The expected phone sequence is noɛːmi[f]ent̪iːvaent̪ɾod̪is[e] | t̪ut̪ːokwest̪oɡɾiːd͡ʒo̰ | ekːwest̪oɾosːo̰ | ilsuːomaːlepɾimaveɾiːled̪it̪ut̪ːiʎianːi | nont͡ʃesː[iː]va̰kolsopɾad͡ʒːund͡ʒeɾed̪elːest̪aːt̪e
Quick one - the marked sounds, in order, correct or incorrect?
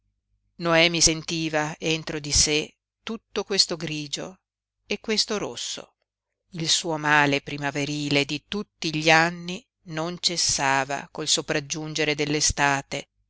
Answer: incorrect, correct, incorrect

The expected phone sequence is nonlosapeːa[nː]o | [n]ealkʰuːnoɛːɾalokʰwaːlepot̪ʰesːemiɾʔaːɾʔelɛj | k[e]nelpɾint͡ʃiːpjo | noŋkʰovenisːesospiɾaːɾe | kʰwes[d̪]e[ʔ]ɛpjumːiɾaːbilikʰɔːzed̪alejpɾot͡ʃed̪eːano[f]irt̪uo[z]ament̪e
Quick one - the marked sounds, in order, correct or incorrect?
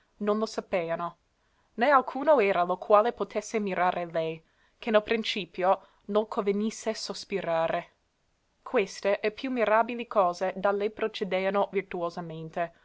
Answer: incorrect, correct, correct, incorrect, correct, incorrect, correct

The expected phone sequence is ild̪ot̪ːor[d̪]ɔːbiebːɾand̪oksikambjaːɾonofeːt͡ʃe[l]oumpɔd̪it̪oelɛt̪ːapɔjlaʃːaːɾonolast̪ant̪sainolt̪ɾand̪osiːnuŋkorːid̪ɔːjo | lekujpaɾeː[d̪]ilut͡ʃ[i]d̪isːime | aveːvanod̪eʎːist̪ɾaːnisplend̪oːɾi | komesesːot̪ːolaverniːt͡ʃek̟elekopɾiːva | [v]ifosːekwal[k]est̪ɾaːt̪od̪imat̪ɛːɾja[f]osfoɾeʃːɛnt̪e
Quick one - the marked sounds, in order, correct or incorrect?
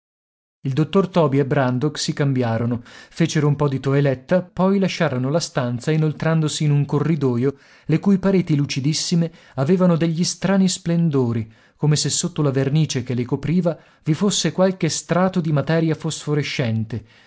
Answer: incorrect, incorrect, incorrect, correct, correct, correct, correct

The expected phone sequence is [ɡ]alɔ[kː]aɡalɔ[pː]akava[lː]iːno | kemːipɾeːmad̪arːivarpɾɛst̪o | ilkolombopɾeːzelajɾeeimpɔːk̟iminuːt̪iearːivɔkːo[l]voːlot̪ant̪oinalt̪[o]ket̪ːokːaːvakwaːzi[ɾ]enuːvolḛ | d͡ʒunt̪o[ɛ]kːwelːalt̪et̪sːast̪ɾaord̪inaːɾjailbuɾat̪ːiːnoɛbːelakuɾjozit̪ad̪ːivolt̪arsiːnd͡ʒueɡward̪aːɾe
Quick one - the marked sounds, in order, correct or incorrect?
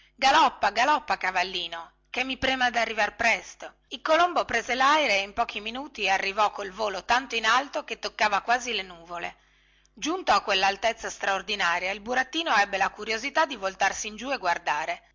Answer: correct, incorrect, correct, correct, correct, correct, incorrect, incorrect

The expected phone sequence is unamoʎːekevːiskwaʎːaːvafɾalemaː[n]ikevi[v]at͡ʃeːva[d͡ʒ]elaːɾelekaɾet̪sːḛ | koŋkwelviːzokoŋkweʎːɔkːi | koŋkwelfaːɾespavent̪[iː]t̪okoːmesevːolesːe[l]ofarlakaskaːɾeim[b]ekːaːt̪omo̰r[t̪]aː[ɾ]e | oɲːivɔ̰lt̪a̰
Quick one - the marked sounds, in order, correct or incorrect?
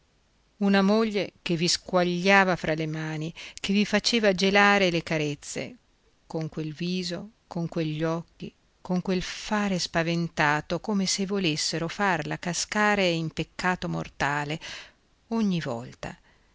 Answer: correct, incorrect, correct, incorrect, incorrect, incorrect, correct, incorrect

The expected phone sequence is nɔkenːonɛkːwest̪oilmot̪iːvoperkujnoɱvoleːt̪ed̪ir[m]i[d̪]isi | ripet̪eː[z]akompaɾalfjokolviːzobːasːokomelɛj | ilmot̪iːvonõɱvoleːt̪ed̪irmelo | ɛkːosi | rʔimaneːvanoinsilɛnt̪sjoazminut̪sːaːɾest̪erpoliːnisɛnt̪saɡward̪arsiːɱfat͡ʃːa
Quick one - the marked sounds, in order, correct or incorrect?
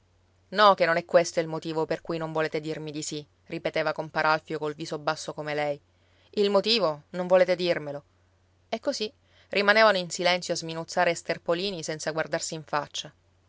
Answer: correct, correct, incorrect

